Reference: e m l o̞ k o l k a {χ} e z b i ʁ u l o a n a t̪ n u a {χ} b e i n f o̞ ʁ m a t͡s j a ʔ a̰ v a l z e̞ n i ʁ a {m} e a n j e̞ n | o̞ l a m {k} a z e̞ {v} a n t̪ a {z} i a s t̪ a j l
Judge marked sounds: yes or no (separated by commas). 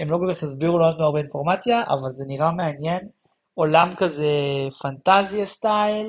yes, no, yes, yes, no, yes